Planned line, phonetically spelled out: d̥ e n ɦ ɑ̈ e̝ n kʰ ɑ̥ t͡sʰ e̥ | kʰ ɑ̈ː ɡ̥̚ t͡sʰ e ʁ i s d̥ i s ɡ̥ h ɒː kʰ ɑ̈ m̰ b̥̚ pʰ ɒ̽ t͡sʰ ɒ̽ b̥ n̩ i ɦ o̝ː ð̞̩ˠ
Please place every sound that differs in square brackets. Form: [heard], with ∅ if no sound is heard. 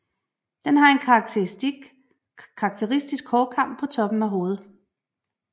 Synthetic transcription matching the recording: d̥ e n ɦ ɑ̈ e̝ n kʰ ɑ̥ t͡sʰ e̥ | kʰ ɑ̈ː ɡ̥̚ t͡sʰ e ʁ i s d̥ i s ɡ̥ h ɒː kʰ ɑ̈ m̰ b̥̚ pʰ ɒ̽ t͡sʰ ɒ̽ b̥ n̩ [æ] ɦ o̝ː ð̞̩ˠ

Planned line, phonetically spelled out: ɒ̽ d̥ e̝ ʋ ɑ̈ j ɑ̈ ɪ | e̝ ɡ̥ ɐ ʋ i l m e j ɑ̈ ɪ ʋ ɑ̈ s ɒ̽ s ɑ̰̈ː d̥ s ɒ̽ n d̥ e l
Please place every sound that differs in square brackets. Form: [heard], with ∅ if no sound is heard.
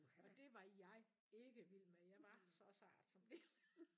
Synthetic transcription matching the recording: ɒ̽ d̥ e̝ ʋ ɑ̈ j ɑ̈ ɪ | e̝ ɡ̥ [ə] ʋ i l m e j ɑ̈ ɪ ʋ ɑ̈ s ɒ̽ s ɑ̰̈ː d̥ s ɒ̽ [m] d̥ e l

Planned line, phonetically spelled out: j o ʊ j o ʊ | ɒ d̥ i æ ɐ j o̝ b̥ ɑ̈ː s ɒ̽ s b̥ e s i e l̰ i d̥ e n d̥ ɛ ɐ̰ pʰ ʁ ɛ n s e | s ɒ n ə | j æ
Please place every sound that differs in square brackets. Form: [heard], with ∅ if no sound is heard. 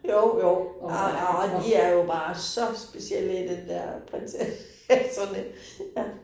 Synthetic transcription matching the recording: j o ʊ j o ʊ | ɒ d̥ i æ ɐ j o̝ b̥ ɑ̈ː s ɒ̽ s b̥ e s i e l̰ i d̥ e n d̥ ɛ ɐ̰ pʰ ʁ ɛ n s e | s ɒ n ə | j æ

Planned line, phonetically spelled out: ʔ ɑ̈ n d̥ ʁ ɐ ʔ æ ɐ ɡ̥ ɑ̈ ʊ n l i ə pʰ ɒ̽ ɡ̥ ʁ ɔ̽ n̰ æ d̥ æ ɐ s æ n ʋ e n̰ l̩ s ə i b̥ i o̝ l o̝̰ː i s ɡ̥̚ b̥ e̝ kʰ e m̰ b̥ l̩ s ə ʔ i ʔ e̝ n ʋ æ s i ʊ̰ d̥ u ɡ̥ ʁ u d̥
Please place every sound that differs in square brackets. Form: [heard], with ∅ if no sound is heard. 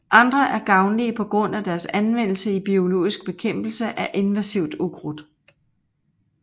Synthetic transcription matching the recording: ʔ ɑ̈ n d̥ ʁ ɐ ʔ æ ɐ ɡ̥ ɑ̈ ʊ n l i ə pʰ ɒ̽ ɡ̥ ʁ ɔ̽ n̰ æ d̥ æ ɐ s æ n ʋ e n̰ l̩ s ə i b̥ i o̝ l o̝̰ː i s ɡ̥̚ b̥ e̝ kʰ e m̰ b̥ l̩ s ə ʔ [æ] ʔ e̝ n ʋ æ s i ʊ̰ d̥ u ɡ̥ ʁ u d̥

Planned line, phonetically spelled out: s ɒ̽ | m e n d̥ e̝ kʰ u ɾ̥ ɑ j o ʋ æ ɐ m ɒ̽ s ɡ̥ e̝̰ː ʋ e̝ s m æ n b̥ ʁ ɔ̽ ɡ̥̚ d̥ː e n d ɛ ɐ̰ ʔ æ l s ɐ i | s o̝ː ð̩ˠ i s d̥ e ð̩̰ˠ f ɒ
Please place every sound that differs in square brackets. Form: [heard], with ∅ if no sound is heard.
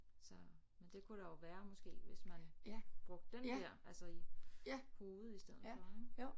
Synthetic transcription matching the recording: s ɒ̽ | m e n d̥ e̝ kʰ u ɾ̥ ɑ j o ʋ [æː] ɐ m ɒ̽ s ɡ̥ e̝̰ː ʋ e̝ s m æ n b̥ ʁ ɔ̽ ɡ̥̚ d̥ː e n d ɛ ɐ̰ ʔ æ l s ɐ i | [h] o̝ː ð̩ˠ i s d̥ e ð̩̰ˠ f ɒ

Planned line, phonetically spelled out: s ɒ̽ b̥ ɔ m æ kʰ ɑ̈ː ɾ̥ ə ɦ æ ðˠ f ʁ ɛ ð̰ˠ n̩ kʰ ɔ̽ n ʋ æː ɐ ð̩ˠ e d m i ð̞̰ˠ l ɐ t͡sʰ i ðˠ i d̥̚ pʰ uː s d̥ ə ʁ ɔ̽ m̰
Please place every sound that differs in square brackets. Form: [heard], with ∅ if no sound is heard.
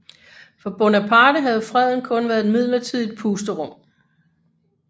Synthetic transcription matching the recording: [f] ɒ̽ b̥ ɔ [n] æ [pʰ] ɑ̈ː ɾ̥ ə ɦ æ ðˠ f ʁ ɛ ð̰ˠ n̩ kʰ ɔ̽ n ʋ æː ɐ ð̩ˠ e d m i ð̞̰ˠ l ɐ t͡sʰ i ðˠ i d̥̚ pʰ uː s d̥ ə ʁ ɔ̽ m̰

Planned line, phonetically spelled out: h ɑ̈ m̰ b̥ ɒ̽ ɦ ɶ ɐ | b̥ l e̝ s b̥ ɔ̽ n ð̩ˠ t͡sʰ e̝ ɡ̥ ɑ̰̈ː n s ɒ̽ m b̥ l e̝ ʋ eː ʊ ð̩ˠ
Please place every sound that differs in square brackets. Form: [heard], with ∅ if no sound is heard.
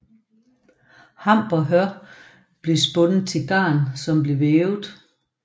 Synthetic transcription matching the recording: h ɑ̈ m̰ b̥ ɒ̽ ɦ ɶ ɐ | b̥ l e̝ s b̥ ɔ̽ n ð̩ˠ t͡sʰ e̝ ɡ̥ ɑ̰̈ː n s ɒ̽ m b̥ l e̝ ʋ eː ʊ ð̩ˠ

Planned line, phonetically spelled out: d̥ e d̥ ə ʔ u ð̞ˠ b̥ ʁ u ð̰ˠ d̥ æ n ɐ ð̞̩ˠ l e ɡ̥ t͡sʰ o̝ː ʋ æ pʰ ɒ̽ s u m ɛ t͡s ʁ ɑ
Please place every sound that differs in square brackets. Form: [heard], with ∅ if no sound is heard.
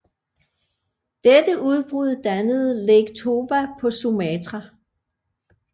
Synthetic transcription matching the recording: d̥ e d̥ ə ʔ u ð̞ˠ b̥ ʁ u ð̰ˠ d̥ æ n [ə] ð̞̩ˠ l e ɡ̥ t͡sʰ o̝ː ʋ æ pʰ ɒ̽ s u m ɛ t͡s ʁ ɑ

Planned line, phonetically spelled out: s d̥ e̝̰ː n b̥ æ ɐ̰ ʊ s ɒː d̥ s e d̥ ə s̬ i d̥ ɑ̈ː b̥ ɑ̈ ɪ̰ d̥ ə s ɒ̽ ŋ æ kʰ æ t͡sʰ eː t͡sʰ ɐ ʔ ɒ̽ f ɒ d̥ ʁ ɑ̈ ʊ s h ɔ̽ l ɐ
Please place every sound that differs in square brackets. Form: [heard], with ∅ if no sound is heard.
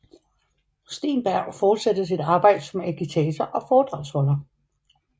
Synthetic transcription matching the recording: s d̥ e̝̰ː n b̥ æ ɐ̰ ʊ [f] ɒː d̥ s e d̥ ə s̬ i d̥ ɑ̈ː b̥ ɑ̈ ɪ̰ d̥ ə s ɒ̽ [m] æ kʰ [i] t͡sʰ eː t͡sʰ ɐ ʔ ɒ̽ f [ɒː] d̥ ʁ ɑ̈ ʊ s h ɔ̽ l ɐ

